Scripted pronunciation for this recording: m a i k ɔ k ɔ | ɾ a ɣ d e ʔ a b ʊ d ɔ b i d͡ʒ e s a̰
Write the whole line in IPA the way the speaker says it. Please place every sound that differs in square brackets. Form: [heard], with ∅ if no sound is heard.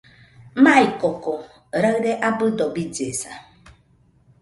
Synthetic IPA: m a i k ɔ k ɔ | ɾ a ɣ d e ʔ a b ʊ d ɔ b i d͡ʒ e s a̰